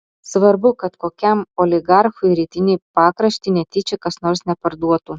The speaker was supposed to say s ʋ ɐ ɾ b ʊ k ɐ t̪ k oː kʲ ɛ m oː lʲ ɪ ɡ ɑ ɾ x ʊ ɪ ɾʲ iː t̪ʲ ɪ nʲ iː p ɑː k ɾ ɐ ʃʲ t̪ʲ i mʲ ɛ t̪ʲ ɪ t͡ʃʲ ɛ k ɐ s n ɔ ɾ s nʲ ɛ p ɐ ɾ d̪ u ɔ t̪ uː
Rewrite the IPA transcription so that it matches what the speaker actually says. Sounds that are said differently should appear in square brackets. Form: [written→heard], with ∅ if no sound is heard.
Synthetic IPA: s ʋ ɐ ɾ b ʊ k ɐ t̪ k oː kʲ ɛ m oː lʲ ɪ ɡ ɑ ɾ x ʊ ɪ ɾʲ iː t̪ʲ ɪ nʲ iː p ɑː k ɾ ɐ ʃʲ t̪ʲ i [mʲ→nʲ] ɛ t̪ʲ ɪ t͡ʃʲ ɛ k ɐ s n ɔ ɾ s nʲ ɛ p ɐ ɾ d̪ u ɔ t̪ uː

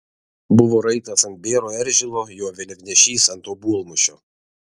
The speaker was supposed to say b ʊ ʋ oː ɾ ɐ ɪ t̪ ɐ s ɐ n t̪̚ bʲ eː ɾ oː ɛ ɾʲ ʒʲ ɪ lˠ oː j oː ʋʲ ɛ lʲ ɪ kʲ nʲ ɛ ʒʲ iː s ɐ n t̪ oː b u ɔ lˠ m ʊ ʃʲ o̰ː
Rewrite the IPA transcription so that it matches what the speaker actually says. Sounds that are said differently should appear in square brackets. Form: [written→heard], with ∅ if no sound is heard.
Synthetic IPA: b ʊ ʋ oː ɾ ɐ ɪ t̪ ɐ s ɐ n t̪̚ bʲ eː ɾ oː ɛ ɾʲ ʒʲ ɪ lˠ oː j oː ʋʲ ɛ lʲ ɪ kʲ nʲ ɛ [ʒʲ→ʃʲ] iː s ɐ n t̪ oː b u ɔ lˠ m ʊ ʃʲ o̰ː

